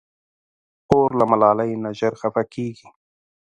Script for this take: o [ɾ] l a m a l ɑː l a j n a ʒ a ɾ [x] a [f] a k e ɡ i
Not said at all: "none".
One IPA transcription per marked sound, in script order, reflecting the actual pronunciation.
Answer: ɾ, x, f

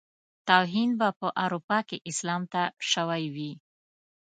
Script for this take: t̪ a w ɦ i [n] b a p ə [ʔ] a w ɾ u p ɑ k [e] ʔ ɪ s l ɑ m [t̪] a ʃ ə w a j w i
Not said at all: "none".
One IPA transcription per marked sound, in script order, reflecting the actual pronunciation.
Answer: n, ʔ, e, t̪

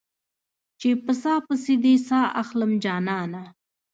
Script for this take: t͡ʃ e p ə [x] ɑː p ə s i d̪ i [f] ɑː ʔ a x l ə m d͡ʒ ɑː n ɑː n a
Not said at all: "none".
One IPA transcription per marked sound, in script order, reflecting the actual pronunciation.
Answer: s, s

